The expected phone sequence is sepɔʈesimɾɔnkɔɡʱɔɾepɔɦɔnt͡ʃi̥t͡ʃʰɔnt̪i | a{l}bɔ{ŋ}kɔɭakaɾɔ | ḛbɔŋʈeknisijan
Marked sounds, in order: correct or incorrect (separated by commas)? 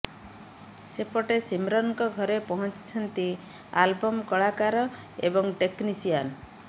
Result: correct, incorrect